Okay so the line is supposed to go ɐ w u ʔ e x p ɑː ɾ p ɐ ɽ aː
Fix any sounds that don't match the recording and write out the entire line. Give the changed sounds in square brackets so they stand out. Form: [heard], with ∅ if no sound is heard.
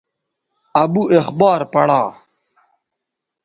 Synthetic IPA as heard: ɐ [b] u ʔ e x [b] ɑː ɾ p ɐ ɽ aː